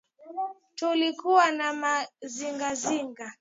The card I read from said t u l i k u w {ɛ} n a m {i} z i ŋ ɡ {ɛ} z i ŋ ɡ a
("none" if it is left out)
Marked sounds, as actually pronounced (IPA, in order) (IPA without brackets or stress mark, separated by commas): a, a, a